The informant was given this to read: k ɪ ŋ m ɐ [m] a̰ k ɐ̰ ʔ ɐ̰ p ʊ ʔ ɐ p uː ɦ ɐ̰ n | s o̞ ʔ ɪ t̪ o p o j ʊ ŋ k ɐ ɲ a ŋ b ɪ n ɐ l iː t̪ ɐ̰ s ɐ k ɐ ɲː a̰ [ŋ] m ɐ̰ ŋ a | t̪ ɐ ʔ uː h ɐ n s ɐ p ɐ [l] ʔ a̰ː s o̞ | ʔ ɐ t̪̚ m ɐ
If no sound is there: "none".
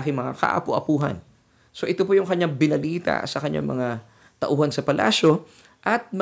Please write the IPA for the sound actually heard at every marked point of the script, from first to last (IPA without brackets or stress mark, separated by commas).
ŋ, ŋ, l